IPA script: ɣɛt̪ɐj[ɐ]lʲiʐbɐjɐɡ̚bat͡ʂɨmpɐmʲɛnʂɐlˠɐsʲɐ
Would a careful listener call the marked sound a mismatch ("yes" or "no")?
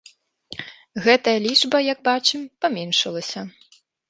no